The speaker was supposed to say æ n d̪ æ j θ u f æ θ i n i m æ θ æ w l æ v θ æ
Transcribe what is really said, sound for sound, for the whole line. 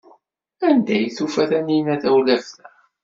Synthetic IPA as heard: æ n d̪ æ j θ u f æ θ æ n i n æ θ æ w l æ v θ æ